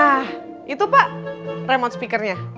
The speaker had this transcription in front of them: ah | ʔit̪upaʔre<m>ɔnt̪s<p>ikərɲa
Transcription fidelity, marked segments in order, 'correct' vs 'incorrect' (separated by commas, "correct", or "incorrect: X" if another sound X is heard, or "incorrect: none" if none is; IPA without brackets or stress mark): correct, correct